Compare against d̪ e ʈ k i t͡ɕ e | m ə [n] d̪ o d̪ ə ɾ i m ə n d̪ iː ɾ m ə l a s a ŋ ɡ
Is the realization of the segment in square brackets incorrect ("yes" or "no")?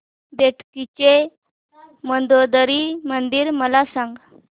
no